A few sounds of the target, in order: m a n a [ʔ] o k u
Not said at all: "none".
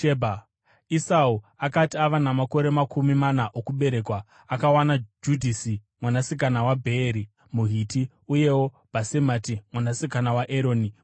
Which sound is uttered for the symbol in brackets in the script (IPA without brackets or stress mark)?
ʔ